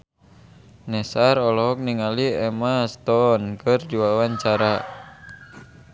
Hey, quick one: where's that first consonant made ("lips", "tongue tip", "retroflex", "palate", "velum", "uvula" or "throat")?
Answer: tongue tip